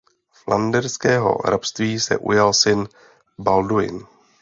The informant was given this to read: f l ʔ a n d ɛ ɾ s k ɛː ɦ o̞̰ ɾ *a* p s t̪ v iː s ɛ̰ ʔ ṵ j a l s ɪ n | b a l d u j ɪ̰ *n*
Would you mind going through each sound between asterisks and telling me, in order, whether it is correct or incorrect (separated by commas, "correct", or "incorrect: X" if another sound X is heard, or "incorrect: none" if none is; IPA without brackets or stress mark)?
correct, correct